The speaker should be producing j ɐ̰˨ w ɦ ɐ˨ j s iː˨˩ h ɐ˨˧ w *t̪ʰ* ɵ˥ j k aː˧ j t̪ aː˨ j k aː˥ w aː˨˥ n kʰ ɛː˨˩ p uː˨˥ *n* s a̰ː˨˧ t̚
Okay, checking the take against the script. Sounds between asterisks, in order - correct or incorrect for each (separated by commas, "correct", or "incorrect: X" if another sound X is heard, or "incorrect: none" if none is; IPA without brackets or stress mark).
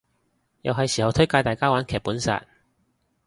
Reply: correct, correct